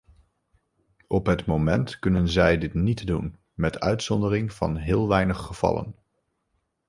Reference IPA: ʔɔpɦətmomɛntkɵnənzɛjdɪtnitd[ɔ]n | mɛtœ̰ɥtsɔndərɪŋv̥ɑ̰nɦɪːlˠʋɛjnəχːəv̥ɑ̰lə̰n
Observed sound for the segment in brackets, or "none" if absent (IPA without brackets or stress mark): u